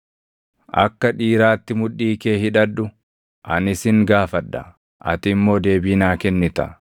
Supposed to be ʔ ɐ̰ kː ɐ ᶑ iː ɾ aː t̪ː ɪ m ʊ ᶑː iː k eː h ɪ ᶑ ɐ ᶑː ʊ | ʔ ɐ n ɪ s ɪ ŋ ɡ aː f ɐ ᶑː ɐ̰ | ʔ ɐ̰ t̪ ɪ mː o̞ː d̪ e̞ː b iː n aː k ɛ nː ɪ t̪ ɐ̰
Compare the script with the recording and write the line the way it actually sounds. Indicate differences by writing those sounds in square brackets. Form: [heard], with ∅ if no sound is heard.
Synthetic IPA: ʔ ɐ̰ kː ɐ ᶑ iː ɾ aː t̪ː ɪ m ʊ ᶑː iː k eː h ɪ ᶑ ɐ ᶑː ʊ | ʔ ɐ n ɪ s ɪ ŋ ɡ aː f ɐ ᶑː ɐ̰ | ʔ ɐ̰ t̪ ɪ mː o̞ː d̪ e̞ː b iː n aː k ɛ nː ɪ t̪ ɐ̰